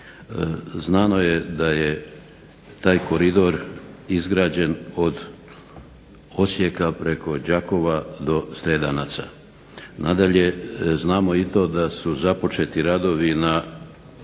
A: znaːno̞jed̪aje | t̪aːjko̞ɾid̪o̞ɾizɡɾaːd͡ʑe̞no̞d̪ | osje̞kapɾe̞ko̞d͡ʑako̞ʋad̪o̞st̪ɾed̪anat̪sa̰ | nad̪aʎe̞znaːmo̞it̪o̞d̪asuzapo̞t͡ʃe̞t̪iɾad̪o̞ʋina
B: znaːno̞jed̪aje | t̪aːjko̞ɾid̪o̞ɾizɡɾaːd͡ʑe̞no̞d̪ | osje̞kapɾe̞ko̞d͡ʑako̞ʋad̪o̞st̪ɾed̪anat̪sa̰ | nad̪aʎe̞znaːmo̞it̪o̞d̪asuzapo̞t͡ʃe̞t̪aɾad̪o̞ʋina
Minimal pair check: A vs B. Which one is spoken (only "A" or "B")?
A